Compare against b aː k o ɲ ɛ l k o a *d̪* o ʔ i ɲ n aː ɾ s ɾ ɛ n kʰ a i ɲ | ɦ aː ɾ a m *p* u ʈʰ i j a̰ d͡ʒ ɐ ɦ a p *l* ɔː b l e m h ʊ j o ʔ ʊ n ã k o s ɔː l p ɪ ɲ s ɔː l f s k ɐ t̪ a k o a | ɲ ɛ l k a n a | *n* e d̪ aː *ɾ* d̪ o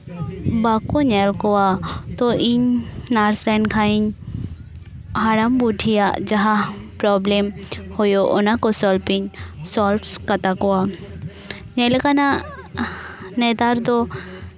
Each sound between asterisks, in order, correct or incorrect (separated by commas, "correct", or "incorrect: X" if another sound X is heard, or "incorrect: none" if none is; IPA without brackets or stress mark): incorrect: t̪, incorrect: b, incorrect: ɾ, correct, correct